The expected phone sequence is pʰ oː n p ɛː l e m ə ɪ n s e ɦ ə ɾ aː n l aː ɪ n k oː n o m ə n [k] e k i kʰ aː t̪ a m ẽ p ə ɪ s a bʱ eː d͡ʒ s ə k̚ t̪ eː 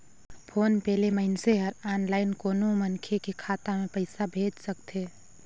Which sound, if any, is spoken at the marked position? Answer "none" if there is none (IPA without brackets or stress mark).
kʰ